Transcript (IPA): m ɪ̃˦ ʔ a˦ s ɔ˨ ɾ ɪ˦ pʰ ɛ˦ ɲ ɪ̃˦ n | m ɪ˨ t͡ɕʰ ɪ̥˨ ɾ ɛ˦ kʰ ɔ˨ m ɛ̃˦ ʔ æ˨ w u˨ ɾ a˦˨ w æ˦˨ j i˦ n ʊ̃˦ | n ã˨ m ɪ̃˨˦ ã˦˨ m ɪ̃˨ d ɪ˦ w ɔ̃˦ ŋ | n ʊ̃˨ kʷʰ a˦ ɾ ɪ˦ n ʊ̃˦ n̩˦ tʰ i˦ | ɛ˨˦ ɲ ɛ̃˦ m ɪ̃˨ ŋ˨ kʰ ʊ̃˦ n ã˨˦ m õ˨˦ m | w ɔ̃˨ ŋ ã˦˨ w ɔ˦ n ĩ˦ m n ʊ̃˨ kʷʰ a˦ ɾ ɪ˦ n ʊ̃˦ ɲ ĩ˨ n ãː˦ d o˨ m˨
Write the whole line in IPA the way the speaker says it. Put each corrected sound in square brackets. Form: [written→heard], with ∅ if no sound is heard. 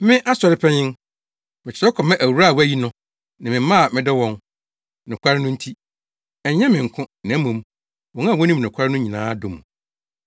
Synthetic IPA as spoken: m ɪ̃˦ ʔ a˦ s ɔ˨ ɾ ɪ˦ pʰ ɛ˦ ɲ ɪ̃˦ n | m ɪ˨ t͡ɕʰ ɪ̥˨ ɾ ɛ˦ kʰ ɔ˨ m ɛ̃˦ ʔ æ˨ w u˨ ɾ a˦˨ w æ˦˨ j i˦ n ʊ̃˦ | n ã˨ m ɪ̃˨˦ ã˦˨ m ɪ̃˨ d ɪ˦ w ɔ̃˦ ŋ | n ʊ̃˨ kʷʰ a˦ ɾ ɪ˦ n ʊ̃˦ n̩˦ tʰ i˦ | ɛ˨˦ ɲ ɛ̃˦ m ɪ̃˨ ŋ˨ kʰ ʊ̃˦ n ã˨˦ m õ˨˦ m | w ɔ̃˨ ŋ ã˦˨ w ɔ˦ n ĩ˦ m n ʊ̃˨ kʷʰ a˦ ɾ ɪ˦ n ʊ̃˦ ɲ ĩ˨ n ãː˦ d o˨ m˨

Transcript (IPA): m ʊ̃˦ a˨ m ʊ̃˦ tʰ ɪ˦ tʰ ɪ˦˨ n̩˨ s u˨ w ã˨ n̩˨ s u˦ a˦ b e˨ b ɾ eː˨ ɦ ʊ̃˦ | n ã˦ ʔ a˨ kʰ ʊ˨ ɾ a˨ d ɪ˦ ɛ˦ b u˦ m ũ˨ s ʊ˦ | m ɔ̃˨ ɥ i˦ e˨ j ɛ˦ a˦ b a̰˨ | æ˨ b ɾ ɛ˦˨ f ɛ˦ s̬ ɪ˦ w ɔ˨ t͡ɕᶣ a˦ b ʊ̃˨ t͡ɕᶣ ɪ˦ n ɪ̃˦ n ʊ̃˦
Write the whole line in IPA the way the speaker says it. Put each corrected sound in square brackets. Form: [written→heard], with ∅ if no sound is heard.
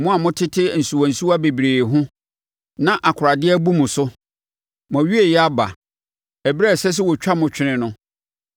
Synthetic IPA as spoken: m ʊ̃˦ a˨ m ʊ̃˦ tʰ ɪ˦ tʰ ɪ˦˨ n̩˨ s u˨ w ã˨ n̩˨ s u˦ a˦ b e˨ b ɾ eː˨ ɦ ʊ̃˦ | n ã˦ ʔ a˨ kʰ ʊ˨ ɾ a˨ d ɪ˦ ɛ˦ b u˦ m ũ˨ s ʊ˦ | m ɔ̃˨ ɥ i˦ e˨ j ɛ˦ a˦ b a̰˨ | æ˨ b ɾ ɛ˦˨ [f→s] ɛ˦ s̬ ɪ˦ w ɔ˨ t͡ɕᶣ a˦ [b→m] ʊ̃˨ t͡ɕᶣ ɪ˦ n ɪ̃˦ n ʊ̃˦

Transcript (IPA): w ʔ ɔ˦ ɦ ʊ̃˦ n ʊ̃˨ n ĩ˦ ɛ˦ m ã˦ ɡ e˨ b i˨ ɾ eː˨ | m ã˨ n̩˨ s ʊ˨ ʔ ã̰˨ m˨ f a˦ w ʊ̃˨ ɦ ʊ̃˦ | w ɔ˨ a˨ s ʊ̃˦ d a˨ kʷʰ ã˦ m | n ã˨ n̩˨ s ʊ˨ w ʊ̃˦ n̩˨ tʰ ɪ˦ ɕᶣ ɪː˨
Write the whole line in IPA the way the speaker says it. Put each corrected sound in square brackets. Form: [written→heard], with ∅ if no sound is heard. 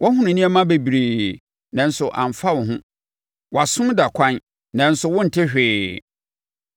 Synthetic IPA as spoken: w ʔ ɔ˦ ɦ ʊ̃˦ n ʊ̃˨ n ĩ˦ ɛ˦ m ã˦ [ɡ→b] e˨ b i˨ ɾ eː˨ | [m→n] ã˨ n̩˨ s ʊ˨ ʔ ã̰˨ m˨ f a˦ w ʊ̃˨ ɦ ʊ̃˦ | w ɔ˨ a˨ s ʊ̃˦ d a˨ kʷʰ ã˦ [m→n] | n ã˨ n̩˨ s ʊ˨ w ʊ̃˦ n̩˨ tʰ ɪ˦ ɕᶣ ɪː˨

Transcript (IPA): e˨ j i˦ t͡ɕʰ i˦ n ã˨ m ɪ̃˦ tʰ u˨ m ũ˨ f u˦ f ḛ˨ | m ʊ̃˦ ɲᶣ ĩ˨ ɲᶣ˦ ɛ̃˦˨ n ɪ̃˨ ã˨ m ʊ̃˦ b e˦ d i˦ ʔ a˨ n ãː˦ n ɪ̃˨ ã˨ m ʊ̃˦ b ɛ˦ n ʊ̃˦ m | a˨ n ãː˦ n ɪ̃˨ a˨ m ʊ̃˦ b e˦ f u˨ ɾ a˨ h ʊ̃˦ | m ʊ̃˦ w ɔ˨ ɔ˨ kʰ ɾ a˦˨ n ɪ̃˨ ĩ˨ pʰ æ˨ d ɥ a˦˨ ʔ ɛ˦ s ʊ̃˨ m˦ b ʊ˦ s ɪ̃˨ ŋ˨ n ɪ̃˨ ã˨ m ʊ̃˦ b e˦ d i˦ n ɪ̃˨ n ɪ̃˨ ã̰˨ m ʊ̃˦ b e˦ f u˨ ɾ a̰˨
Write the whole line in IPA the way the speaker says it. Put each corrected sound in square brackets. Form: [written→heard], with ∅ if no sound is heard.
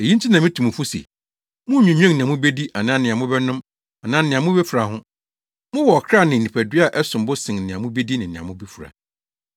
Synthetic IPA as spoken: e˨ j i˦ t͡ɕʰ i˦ n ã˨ m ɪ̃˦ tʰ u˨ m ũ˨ f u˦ [f→s] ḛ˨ | m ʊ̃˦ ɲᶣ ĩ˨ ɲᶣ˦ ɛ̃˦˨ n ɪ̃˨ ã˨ m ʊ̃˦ b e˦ d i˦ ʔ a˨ n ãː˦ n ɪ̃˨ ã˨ m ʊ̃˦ b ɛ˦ n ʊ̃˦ m | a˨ n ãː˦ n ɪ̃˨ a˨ m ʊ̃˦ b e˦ f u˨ ɾ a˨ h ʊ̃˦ | m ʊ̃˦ w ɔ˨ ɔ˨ kʰ ɾ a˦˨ n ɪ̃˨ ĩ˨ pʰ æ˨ d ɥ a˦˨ ʔ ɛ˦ s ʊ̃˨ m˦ b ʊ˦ s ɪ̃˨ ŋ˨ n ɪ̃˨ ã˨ m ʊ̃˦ b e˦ d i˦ n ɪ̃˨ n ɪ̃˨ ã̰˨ m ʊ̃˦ b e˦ f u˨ ɾ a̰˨

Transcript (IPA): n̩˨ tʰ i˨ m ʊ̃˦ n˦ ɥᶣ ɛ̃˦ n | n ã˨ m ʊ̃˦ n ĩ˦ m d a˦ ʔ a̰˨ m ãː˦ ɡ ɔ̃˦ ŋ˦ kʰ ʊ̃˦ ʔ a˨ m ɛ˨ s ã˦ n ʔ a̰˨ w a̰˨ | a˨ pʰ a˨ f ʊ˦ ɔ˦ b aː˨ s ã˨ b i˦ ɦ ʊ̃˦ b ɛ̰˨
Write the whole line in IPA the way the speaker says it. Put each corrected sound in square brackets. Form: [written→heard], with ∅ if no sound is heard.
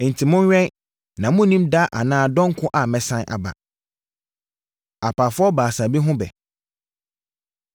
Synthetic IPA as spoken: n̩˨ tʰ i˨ m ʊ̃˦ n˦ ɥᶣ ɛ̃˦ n | n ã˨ m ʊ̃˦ n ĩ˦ m d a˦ ʔ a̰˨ [m→n] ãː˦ [ɡ→d] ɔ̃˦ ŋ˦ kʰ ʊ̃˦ ʔ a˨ m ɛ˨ s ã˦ n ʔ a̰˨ [w→b] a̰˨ | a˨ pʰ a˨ f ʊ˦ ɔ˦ b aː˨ s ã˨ b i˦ ɦ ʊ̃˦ b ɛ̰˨

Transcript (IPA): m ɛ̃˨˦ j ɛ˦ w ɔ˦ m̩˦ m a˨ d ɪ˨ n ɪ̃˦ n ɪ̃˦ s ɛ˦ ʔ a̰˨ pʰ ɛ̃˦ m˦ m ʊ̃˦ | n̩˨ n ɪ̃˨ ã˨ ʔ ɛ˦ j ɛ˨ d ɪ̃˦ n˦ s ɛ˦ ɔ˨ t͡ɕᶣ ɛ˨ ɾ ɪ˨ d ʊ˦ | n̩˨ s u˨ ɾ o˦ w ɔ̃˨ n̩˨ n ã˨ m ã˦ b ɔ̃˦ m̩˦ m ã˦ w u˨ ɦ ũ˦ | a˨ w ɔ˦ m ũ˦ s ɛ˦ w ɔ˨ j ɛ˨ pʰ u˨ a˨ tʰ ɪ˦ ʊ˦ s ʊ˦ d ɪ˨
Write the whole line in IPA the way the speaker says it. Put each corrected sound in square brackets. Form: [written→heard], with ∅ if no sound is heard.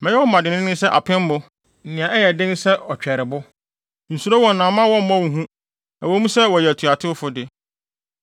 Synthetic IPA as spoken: m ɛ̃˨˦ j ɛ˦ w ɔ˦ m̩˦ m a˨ d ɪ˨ n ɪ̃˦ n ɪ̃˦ s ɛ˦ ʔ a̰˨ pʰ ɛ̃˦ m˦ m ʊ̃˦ | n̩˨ n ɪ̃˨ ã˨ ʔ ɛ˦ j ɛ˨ d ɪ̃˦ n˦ s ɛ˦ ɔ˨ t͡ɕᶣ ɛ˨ ɾ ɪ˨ [d→b] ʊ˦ | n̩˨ s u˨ ɾ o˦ w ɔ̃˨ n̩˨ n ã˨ m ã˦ [b→w] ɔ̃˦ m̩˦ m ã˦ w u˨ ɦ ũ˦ | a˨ w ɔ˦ m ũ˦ s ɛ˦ w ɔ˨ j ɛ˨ [pʰ→tʰ] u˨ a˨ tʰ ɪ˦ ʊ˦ [s→f] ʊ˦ d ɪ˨

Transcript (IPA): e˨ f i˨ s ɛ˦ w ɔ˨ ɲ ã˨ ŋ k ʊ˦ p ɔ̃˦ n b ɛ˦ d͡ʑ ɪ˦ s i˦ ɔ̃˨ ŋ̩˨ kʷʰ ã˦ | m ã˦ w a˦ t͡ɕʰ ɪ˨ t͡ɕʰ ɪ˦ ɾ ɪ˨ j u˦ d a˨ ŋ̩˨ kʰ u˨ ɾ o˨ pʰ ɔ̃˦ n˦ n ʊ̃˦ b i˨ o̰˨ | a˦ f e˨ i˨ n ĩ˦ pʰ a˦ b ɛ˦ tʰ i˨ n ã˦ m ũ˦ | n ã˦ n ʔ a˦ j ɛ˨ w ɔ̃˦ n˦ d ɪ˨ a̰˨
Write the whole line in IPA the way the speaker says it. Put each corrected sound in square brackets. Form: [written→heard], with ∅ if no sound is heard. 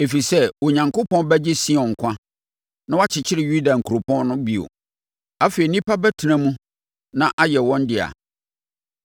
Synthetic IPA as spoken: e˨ f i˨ s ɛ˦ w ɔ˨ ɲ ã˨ ŋ k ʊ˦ p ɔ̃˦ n b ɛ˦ d͡ʑ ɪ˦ s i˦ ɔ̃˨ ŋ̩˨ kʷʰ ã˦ | [m→n] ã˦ w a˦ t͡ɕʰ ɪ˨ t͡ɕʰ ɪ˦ ɾ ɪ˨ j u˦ d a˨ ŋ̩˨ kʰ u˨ ɾ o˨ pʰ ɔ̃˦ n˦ n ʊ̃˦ b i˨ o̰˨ | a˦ f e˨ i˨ n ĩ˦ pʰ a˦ b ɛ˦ tʰ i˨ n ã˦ m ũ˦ | n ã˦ [n→∅] ʔ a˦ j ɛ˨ w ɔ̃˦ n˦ d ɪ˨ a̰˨

